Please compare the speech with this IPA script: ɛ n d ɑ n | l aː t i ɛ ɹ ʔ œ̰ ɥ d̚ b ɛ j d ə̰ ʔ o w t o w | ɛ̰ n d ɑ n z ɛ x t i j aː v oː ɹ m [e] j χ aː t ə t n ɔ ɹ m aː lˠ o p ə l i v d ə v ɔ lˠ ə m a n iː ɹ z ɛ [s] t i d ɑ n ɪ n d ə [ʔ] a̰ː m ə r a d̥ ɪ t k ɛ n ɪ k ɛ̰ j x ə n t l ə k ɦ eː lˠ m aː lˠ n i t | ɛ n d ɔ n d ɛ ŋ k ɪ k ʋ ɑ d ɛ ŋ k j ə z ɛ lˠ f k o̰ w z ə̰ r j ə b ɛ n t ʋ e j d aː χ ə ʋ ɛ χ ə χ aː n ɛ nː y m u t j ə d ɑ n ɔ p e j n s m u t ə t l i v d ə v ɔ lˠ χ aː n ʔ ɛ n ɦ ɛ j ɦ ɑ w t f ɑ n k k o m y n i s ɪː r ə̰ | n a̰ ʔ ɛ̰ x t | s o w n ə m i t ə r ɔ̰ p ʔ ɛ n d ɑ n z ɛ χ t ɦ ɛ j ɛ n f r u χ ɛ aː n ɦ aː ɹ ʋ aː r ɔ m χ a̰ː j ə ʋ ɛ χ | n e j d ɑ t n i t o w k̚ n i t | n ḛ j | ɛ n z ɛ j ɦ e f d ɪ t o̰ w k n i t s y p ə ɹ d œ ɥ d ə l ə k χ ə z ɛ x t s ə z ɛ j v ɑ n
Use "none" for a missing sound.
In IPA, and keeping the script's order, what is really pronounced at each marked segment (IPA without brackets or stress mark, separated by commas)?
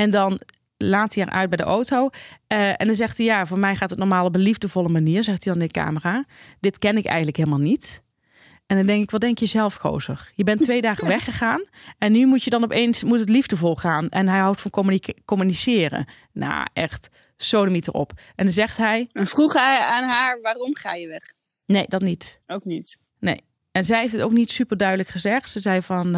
ɛ, x, k